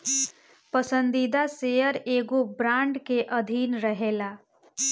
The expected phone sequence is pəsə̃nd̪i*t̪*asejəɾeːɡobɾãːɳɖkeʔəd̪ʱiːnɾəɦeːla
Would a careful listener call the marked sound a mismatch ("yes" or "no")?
yes